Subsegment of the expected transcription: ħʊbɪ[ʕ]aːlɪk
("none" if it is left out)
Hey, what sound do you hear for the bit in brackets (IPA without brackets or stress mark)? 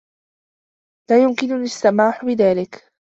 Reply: ð